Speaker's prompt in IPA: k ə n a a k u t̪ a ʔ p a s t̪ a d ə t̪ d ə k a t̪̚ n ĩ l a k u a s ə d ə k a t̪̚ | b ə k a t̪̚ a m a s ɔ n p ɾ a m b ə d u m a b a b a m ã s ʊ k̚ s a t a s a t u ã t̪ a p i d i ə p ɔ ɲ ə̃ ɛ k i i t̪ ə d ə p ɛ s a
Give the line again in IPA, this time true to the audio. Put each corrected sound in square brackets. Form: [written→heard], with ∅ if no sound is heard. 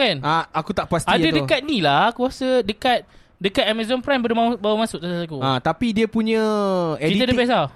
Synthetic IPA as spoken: k [ə→a] n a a k u t̪ a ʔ p a s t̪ a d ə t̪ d ə k a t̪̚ n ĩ l a k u a s ə d ə k a t̪̚ | [b→d] ə k a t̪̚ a m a [s→z] ɔ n p ɾ a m b ə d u m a b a [b→w] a m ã s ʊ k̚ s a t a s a [t→k] u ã t̪ a p i d i ə p [ɔ→u] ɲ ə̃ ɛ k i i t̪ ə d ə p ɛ s a